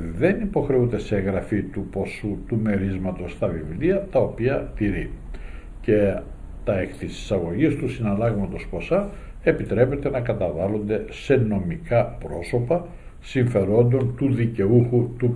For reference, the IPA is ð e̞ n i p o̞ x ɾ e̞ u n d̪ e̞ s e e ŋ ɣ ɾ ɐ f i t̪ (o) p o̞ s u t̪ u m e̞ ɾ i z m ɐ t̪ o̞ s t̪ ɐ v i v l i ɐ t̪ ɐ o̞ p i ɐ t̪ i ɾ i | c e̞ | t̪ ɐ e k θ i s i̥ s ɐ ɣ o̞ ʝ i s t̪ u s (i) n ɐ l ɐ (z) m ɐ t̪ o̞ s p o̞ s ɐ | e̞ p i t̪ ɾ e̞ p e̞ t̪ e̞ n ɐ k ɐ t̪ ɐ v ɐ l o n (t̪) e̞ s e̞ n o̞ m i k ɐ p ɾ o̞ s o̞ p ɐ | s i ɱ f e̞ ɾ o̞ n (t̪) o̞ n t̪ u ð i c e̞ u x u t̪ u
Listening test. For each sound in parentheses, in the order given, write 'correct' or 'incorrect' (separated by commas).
incorrect, correct, incorrect, incorrect, incorrect